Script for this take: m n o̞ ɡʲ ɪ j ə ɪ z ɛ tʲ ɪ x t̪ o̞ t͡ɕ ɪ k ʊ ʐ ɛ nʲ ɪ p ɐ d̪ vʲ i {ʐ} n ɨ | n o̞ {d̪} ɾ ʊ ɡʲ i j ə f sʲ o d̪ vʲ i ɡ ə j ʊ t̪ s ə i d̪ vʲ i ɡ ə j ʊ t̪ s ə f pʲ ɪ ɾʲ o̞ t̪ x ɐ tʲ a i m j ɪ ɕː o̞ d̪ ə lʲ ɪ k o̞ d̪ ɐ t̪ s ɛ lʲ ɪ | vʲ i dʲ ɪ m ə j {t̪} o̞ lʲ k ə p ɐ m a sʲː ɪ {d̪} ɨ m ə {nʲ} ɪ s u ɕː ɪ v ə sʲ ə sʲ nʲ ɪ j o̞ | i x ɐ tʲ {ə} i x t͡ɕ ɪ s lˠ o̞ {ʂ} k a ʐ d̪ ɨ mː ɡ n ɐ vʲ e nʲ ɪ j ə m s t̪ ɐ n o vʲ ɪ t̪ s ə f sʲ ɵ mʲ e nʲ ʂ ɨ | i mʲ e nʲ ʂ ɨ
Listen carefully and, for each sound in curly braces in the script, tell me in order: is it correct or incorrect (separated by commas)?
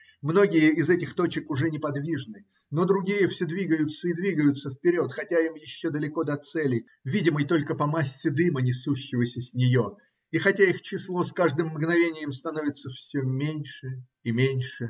correct, correct, correct, correct, correct, incorrect, incorrect